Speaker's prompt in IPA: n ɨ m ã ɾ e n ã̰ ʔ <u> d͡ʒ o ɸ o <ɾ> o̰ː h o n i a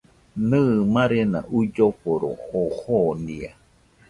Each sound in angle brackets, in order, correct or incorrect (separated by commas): correct, correct